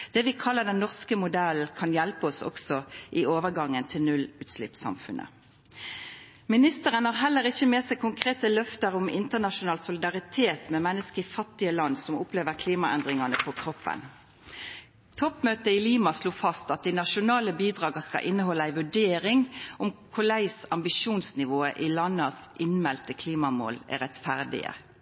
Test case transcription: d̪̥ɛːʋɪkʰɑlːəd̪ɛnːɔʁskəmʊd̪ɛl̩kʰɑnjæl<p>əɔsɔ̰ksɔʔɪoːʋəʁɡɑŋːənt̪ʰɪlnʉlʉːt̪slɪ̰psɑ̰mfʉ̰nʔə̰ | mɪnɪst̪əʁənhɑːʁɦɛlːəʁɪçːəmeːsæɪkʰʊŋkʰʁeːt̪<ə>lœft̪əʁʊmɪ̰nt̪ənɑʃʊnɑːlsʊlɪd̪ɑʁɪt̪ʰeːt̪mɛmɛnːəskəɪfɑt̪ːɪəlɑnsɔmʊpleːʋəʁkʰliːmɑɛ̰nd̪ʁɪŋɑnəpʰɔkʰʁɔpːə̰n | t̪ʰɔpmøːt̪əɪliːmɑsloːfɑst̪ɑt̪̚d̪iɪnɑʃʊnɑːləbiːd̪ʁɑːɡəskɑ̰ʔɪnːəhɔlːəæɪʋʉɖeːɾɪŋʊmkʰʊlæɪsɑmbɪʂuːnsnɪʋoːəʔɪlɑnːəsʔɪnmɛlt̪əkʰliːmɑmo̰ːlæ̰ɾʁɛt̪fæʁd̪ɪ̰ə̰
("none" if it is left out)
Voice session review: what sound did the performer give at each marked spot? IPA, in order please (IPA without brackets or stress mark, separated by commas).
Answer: p, ə